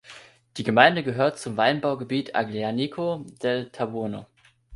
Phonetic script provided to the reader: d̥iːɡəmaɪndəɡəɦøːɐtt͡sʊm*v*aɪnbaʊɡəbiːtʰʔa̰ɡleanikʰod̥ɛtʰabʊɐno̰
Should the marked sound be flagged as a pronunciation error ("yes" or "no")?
no